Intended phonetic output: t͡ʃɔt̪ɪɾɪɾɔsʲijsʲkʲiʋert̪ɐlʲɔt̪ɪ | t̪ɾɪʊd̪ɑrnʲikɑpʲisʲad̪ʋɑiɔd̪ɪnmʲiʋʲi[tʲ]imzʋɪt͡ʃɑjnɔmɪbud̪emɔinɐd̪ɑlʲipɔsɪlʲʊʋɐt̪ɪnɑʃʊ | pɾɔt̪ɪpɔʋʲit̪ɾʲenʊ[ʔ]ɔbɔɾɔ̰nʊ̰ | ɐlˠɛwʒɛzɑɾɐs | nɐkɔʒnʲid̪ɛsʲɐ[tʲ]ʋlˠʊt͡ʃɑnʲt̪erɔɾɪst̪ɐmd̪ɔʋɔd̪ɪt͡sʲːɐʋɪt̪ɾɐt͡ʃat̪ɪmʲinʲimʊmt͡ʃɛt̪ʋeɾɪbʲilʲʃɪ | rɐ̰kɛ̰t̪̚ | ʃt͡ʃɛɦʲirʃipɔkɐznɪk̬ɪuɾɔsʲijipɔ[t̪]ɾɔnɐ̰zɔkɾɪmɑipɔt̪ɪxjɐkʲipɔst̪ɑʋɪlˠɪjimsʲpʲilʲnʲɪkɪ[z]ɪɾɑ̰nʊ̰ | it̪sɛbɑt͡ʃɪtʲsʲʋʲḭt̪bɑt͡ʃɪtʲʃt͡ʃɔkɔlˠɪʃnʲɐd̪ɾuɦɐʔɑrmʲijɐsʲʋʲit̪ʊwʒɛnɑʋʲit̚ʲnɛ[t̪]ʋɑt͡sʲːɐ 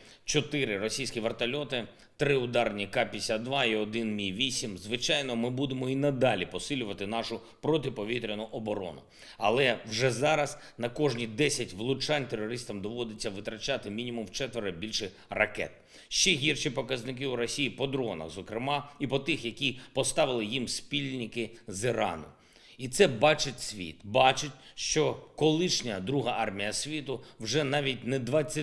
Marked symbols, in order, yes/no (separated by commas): no, yes, yes, no, yes, no